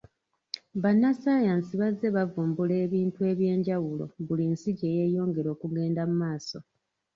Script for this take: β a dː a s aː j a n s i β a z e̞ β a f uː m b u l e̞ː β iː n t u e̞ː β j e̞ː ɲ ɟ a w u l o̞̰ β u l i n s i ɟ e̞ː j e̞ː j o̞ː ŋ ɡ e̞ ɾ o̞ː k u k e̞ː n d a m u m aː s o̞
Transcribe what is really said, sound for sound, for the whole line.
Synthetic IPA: β a nː a s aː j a n s i β a z e̞ β a v uː m b u l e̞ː β iː n t u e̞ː β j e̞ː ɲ ɟ a w u l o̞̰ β u l i n s i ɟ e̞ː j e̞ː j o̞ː ŋ ɡ e̞ ɾ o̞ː k u ɡ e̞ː n d a m u m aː s o̞